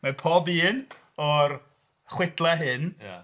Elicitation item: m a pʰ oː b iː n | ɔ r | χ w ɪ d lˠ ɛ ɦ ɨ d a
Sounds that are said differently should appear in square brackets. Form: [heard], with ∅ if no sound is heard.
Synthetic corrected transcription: m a pʰ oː b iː n | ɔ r | χ w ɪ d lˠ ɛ ɦ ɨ [n] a